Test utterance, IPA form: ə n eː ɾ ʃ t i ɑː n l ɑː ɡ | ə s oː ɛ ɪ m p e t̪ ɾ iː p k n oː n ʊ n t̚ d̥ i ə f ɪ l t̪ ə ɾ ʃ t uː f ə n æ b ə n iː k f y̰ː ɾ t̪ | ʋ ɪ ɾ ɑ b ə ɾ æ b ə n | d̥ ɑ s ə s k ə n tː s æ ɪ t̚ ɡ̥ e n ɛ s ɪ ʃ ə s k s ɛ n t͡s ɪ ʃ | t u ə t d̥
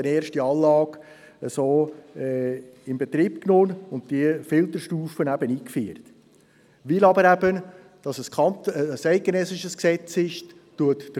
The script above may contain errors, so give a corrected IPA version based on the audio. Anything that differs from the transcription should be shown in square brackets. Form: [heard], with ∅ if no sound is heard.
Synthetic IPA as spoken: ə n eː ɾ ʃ t i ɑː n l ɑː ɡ | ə s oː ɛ ɪ m [b] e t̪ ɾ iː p k n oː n ʊ n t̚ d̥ i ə f ɪ l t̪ ə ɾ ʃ t uː f ə n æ b ə n iː k f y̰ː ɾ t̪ | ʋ ɪ [l] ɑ b ə ɾ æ b ə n | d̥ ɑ s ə s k [ɑ] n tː s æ ɪ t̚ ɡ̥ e n ɛ s ɪ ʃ ə s k s ɛ [∅] t͡s ɪ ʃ | t u ə t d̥